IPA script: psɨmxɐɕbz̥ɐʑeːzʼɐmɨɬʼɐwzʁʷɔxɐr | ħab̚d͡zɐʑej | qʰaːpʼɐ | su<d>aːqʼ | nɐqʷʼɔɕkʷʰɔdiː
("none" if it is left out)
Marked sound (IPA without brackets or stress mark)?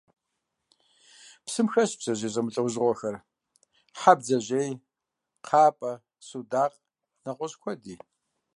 d